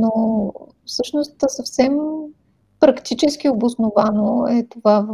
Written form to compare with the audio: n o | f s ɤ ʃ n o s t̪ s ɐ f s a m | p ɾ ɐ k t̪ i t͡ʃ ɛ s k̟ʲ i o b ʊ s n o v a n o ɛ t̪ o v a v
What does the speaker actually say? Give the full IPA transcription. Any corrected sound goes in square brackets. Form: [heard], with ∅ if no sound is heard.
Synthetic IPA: n o | f s ɤ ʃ n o s t̪ s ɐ f s [ɛ] m | p ɾ ɐ k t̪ i t͡ʃ ɛ s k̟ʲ i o b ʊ s n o v a n o ɛ t̪ o v a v